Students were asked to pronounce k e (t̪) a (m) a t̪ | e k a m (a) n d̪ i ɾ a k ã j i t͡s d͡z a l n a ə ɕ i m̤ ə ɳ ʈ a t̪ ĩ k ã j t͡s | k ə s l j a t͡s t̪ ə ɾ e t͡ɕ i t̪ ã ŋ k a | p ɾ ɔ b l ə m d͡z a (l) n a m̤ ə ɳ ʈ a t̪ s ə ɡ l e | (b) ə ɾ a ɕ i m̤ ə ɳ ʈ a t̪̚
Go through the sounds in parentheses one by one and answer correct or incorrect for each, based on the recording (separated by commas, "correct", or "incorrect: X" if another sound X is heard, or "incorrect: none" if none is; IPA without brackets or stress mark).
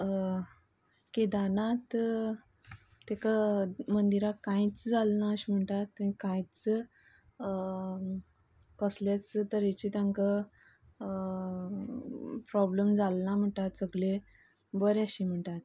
incorrect: d̪, incorrect: n, incorrect: ə, correct, correct